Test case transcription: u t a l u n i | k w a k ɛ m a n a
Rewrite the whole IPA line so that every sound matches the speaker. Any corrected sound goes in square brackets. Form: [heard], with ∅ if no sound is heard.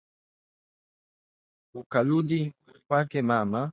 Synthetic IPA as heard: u [k] a l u [d] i | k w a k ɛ m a [m] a